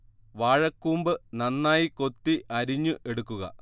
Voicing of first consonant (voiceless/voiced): voiced